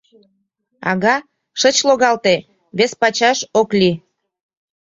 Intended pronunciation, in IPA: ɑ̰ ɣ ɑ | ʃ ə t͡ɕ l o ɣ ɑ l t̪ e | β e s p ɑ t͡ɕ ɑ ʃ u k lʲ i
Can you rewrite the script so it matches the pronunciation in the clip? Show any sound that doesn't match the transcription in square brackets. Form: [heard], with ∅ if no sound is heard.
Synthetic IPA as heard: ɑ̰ ɣ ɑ | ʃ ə t͡ɕ l o ɣ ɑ l t̪ e | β e s p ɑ t͡ɕ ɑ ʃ [o] k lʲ i

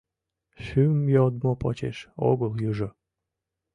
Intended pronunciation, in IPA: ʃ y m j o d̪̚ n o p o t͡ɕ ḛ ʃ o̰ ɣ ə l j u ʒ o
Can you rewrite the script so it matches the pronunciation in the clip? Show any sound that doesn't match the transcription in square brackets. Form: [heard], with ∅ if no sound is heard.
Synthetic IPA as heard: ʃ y m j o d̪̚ [m] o p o t͡ɕ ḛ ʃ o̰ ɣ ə l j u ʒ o

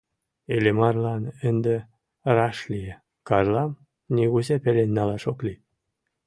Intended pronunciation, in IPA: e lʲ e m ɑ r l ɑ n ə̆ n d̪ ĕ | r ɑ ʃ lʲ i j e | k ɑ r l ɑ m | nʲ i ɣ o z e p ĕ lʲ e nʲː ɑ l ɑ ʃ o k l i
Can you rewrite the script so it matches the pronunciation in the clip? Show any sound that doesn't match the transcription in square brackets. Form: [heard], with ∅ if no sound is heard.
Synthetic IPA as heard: e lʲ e m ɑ r l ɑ n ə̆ n d̪ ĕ | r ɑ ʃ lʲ i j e | k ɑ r l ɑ m | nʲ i ɣ [u] z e p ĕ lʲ e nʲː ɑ l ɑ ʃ o k l i

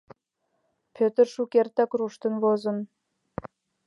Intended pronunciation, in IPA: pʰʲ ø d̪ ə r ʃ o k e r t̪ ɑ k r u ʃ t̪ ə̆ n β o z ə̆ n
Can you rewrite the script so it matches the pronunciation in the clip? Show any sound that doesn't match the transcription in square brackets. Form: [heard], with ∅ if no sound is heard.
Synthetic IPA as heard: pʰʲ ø [t̪] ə r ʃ [u] k e r t̪ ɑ k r u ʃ t̪ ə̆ n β o z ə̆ n

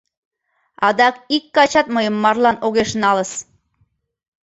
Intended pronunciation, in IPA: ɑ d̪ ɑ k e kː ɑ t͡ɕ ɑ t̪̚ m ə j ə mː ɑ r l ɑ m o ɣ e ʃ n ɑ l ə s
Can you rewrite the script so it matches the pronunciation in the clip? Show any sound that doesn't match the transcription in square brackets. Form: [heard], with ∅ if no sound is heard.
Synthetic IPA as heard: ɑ d̪ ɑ k [i] kː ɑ t͡ɕ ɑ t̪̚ m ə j ə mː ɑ r l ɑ [n] o ɣ e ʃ n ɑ l ə s

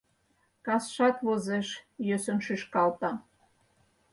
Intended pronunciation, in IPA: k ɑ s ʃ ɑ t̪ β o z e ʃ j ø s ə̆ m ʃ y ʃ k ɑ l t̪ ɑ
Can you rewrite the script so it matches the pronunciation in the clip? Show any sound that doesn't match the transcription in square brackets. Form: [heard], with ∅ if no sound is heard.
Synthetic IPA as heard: k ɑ s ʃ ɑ t̪ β o z e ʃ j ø s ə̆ [n] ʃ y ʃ k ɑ l t̪ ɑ

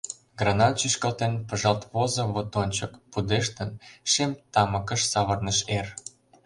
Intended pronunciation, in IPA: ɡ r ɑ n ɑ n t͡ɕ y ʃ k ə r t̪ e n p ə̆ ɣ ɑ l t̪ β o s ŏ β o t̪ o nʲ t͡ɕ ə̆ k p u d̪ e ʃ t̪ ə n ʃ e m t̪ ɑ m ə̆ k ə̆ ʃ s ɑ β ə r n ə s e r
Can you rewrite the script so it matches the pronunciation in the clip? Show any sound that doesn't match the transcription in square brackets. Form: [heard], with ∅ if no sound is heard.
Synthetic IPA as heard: ɡ r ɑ n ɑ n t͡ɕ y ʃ k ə [l] t̪ e n p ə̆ [ʒ] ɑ l t̪ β o [z] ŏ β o t̪ o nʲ t͡ɕ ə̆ k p u d̪ e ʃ t̪ ə n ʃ e m t̪ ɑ m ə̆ k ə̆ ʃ s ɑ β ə r n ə [ʃ] e r

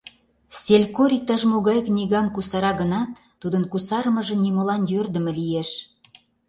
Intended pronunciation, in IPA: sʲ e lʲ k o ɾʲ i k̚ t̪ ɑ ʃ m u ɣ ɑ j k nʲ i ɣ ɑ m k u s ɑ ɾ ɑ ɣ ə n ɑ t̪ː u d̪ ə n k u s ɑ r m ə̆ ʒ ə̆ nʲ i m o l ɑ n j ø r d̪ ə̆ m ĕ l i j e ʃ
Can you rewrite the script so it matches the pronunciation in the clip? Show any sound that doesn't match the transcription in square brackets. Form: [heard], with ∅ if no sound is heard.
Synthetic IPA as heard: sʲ e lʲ k o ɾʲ i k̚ t̪ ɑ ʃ m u ɣ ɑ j k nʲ i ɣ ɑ m k u s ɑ ɾ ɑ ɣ ə n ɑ t̪ː u d̪ ə n k u s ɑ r m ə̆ ʒ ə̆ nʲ i m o l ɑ n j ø r d̪ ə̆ m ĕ l i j e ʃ

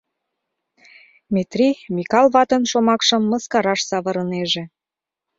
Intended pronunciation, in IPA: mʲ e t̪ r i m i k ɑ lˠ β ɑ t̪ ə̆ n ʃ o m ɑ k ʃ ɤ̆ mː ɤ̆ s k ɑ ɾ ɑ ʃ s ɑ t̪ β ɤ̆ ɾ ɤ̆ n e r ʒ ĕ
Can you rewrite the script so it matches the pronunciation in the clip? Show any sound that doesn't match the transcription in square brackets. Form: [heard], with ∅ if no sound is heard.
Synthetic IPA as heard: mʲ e t̪ r i m i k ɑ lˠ β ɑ t̪ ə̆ n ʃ o m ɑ k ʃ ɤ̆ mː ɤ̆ s k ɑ ɾ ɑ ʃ s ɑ [∅] β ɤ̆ ɾ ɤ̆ n e [∅] ʒ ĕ

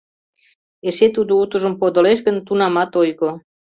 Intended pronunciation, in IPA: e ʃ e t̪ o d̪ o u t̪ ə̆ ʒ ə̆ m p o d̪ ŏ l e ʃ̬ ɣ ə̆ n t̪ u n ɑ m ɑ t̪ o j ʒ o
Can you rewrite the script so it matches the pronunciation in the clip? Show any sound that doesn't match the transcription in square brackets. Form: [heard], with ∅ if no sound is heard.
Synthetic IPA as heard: e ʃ e t̪ [u] d̪ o u t̪ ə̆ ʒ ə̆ m p o d̪ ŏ l e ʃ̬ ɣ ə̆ n t̪ u n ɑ m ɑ t̪ o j [ɣ] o

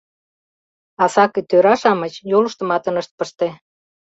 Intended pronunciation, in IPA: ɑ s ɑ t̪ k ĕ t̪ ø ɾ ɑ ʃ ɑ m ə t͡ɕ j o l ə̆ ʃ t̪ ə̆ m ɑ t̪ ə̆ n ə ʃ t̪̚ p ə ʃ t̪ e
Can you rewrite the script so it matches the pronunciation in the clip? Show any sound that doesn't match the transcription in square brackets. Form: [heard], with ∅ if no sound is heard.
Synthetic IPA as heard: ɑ s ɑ [∅] k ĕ t̪ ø ɾ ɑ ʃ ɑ m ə t͡ɕ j o l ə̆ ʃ t̪ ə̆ m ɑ t̪ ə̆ n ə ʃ t̪̚ p ə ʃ t̪ e

